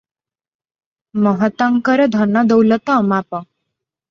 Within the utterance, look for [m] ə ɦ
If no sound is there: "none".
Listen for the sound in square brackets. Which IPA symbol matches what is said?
m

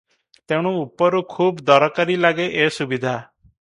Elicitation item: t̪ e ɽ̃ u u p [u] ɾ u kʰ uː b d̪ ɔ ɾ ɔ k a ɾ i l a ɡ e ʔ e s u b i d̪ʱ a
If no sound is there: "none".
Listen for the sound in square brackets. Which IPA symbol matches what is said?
ɔ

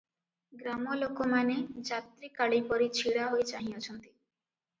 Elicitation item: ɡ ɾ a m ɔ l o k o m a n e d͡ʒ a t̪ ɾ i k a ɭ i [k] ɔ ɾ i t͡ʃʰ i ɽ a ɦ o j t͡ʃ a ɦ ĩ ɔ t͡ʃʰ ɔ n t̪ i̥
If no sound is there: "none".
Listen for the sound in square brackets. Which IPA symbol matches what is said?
p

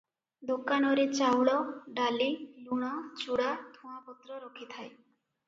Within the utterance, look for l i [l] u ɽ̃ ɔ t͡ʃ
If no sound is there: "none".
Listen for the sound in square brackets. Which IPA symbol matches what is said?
l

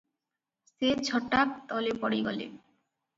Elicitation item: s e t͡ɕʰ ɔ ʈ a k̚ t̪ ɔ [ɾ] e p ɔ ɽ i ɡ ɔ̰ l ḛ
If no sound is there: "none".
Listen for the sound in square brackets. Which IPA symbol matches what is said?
l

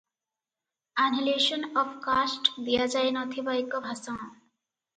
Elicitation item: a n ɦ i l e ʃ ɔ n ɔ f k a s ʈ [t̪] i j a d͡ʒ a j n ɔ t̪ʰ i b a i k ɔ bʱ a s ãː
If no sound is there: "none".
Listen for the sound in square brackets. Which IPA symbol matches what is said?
d̪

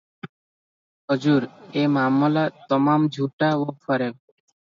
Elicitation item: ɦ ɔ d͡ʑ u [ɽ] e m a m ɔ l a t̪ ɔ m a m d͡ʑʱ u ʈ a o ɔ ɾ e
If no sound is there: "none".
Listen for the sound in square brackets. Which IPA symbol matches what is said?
ɾ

